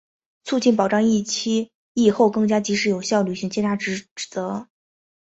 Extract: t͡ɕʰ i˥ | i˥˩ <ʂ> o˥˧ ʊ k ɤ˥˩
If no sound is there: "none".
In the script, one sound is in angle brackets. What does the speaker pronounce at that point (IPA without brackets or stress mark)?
x